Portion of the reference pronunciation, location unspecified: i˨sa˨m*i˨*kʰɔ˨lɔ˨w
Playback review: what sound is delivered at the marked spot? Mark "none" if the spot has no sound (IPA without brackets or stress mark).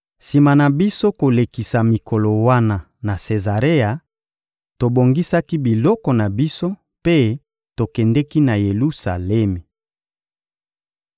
i˨